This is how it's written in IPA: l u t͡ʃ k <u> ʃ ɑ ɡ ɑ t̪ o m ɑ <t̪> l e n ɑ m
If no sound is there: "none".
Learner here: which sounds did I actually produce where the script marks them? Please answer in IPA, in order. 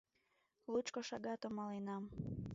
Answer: o, none

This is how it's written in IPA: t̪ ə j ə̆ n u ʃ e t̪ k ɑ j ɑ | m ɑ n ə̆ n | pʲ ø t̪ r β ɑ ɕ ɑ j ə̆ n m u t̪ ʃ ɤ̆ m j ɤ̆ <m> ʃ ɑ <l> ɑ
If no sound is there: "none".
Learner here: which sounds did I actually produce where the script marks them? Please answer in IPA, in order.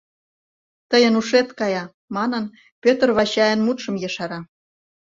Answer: none, ɾ

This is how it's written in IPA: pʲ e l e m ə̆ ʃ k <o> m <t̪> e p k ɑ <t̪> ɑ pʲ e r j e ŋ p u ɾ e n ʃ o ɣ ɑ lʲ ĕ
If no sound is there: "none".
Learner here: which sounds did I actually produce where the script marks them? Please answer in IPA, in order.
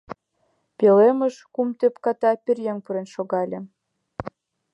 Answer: u, t̪, t̪

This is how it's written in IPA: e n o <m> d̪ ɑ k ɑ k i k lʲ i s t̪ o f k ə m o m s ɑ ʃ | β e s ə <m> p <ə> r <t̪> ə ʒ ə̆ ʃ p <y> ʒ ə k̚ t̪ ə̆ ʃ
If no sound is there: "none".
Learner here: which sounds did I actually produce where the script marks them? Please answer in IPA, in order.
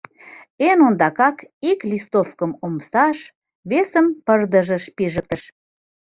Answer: n, m, ə, d̪, i

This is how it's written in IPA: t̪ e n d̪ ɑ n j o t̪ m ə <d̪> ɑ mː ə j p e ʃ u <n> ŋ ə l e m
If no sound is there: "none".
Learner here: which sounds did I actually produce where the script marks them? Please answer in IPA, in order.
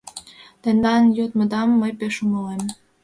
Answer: d̪, none

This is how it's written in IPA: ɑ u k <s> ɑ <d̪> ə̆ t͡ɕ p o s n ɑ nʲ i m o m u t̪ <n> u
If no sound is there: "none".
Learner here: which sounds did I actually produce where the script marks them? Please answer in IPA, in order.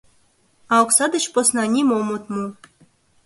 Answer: s, d̪, m

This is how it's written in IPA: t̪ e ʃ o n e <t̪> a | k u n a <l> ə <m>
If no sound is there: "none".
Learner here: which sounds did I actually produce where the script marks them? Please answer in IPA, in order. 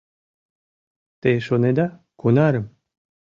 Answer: d̪, ɾ, m

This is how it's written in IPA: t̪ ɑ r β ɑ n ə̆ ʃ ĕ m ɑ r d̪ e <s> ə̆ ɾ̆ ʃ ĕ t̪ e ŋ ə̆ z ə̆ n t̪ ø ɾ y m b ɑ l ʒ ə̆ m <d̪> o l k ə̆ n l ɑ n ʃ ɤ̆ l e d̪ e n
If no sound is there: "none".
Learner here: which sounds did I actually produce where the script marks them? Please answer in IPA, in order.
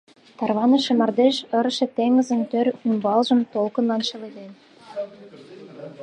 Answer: ʃ, t̪

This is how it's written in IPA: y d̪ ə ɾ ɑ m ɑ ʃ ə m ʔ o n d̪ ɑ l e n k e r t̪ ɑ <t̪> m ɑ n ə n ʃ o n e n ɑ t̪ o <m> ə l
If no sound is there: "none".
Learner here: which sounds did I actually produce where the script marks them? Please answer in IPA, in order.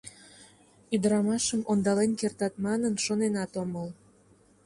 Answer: t̪, m

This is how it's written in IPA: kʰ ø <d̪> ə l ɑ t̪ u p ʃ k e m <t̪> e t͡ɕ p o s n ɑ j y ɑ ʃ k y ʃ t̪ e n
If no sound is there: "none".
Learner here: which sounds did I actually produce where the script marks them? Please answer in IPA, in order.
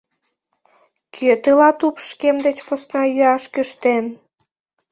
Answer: t̪, d̪

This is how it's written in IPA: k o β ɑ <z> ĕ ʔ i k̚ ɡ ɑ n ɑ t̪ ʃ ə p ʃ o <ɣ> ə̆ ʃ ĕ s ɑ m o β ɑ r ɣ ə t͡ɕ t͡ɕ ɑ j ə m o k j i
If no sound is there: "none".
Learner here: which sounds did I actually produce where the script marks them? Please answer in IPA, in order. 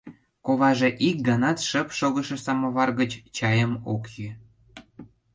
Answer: ʒ, ɣ

